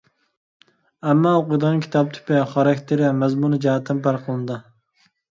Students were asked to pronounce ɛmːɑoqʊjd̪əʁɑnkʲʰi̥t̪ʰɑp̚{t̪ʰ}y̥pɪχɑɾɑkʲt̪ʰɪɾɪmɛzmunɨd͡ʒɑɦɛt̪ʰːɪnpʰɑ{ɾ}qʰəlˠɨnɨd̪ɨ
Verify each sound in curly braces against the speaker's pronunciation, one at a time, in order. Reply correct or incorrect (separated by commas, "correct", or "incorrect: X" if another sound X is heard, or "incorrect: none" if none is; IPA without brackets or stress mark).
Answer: correct, correct